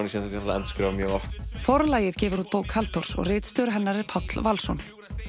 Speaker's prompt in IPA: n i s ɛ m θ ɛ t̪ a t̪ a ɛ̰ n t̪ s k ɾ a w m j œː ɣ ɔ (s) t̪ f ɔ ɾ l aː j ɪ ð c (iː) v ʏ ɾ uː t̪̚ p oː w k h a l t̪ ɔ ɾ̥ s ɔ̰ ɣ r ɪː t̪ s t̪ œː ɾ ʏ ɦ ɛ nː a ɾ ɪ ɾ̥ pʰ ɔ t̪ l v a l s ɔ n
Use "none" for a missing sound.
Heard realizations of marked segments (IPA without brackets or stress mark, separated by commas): f, ɛː